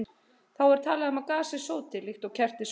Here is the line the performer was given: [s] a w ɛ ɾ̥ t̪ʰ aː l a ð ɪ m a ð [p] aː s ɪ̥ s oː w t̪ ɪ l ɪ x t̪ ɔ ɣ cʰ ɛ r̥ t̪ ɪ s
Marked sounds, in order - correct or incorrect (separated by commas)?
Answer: incorrect, incorrect